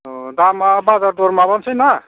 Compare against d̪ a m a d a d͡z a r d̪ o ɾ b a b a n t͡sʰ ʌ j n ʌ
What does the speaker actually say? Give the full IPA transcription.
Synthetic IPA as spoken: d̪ a m a b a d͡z a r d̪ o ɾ m a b ʌ n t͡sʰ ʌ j n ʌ